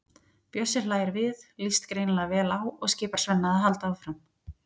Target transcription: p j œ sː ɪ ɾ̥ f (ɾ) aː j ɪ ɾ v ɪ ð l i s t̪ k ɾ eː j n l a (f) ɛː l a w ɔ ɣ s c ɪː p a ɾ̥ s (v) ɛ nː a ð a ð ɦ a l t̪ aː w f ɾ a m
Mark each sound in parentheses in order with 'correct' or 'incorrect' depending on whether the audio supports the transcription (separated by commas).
incorrect, incorrect, correct